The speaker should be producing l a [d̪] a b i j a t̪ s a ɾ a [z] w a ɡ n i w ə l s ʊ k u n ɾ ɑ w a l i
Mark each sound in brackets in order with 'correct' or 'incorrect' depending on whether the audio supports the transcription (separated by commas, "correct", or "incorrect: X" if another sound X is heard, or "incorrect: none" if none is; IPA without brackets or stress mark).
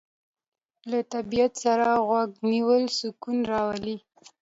incorrect: t̪, incorrect: ɣ